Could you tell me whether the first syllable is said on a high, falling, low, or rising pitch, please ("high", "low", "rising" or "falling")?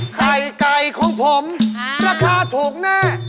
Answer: low